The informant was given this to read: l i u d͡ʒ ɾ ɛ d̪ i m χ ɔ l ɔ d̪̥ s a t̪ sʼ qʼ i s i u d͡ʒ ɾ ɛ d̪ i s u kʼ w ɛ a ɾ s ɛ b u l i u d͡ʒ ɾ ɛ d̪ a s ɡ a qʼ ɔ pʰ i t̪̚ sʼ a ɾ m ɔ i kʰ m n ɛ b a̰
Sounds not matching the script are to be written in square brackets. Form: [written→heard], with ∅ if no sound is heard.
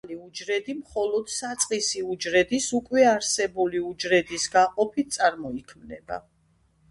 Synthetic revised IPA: l i u d͡ʒ ɾ ɛ d̪ i m χ ɔ l ɔ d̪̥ s a t̪ sʼ qʼ i s i u d͡ʒ ɾ ɛ d̪ i s u kʼ w ɛ a ɾ s ɛ b u l i u d͡ʒ ɾ ɛ d̪ [a→i] s ɡ a qʼ ɔ pʰ i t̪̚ sʼ a ɾ m ɔ i kʰ m n ɛ b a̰

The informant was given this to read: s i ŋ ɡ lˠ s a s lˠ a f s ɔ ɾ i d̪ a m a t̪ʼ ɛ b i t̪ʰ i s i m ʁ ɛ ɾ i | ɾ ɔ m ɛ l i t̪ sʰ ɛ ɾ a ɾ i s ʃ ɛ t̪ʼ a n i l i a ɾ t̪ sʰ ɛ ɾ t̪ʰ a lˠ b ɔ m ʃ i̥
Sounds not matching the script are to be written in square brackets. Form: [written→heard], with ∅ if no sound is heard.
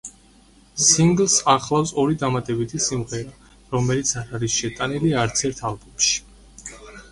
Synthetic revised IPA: s i ŋ ɡ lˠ s a [s→χ] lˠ a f s ɔ ɾ i d̪ a m a t̪ʼ ɛ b i t̪ʰ i s i m ʁ ɛ ɾ [i→a] | ɾ ɔ m ɛ l i t̪ sʰ [ɛ→a] ɾ a ɾ i s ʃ ɛ t̪ʼ a n i l i a ɾ t̪ sʰ ɛ ɾ t̪ʰ a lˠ b ɔ m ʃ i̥

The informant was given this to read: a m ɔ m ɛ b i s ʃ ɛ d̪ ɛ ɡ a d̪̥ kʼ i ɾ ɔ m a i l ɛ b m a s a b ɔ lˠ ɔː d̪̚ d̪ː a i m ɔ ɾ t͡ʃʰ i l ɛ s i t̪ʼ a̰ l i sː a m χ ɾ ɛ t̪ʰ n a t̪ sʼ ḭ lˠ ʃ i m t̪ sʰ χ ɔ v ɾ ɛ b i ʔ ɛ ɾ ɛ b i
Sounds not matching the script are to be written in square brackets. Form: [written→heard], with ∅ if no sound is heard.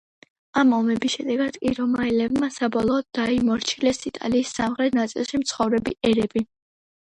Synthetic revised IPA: a m ɔ m ɛ b i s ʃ ɛ d̪ ɛ ɡ a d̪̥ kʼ i ɾ ɔ m a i l ɛ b m a s a b ɔ lˠ ɔː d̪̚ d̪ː a i m ɔ ɾ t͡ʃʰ i l ɛ s i t̪ʼ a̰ l [i→iː] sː a m χ ɾ ɛ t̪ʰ n a t̪ sʼ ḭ lˠ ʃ i m t̪ sʰ χ ɔ v ɾ ɛ b i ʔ ɛ ɾ ɛ b i

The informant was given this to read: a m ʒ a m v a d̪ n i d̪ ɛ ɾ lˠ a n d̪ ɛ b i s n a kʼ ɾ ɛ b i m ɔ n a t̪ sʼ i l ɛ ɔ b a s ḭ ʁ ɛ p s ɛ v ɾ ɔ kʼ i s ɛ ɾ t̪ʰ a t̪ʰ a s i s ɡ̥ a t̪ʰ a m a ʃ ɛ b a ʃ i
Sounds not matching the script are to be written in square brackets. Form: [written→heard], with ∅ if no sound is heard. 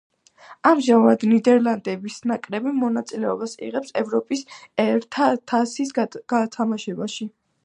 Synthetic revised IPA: a m ʒ a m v a d̪ n i d̪ ɛ ɾ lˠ a n d̪ ɛ b i s n a kʼ ɾ ɛ b i m ɔ n a t̪ sʼ i l ɛ ɔ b a s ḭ ʁ ɛ p s ɛ v ɾ ɔ [kʼ→pʼ] i s ɛ ɾ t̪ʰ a t̪ʰ a s i s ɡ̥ a t̪ʰ a m a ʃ ɛ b a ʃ i

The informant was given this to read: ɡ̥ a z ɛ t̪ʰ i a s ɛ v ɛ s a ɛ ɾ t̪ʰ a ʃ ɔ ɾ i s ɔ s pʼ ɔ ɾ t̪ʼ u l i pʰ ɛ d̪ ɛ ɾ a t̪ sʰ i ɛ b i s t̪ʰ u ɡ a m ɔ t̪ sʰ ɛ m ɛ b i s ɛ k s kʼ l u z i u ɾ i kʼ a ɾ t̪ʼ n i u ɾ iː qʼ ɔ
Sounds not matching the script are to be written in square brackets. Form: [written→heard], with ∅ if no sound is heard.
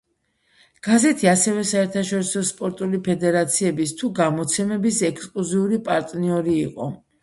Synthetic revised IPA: ɡ̥ a z ɛ t̪ʰ i a s ɛ v ɛ s a ɛ ɾ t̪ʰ a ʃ ɔ ɾ i s ɔ s pʼ ɔ ɾ t̪ʼ u l i pʰ ɛ d̪ ɛ ɾ a t̪ sʰ i ɛ b i s t̪ʰ u ɡ a m ɔ t̪ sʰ ɛ m ɛ b i s ɛ k s kʼ l u z i u ɾ i [kʼ→pʼ] a ɾ t̪ʼ n i [u→ɔ] ɾ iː qʼ ɔ

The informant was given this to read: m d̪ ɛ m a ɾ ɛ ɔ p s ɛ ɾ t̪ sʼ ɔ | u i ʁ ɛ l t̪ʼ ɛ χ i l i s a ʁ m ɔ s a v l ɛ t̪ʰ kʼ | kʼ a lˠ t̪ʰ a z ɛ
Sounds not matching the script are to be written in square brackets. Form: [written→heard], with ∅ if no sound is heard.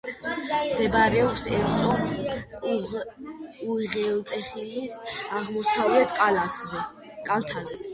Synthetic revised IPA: m d̪ ɛ [m→b] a ɾ ɛ ɔ p s ɛ ɾ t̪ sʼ ɔ | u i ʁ ɛ l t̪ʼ ɛ χ i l i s a ʁ m ɔ s a v l ɛ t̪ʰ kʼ | kʼ a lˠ t̪ʰ a z ɛ

